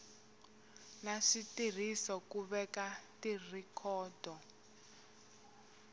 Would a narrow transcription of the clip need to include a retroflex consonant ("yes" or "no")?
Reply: yes